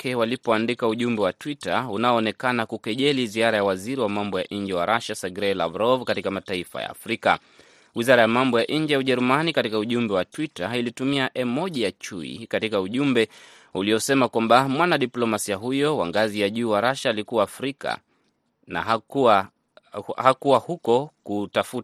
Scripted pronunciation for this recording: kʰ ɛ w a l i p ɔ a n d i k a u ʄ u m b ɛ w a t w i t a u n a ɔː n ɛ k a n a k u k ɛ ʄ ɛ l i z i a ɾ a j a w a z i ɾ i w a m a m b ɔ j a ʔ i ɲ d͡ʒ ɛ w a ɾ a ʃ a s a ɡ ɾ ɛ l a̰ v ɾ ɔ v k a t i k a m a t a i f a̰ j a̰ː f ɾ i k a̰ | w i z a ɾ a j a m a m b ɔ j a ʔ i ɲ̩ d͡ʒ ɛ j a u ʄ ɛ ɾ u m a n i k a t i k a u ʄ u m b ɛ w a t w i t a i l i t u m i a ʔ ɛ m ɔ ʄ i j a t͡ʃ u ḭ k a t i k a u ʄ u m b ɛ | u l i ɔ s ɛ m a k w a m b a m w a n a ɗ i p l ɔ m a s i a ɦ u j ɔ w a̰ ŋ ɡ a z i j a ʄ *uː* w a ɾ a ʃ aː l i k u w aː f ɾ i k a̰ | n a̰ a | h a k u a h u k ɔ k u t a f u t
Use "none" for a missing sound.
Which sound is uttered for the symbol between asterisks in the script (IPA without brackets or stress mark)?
uː